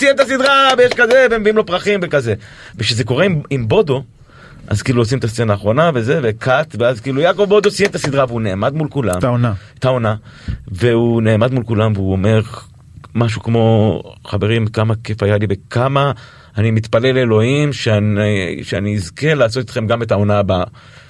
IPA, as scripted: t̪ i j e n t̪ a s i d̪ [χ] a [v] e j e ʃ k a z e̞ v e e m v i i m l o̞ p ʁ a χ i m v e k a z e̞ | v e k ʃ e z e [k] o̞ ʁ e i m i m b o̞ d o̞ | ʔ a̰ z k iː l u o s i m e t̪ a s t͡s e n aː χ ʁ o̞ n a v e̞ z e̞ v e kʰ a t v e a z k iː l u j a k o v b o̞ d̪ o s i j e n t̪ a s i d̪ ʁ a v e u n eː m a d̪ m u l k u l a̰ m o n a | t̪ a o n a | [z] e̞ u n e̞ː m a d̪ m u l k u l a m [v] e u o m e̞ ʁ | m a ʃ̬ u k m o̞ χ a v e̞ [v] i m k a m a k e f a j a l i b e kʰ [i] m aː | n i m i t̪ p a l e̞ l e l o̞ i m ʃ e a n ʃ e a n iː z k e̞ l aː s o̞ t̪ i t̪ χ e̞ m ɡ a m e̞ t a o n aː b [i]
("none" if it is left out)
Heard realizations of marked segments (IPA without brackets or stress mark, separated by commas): ʁ, v, k, v, v, ʁ, a, a